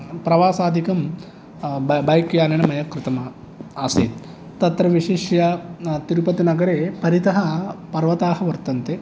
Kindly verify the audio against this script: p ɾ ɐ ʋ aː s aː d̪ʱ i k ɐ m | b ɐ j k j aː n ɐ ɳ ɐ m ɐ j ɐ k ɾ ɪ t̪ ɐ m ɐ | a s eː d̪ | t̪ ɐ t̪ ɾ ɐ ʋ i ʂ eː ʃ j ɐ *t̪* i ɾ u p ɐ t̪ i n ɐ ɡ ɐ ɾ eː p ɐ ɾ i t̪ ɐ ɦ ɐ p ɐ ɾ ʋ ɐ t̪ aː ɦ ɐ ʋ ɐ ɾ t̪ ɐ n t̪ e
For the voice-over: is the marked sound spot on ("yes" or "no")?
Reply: yes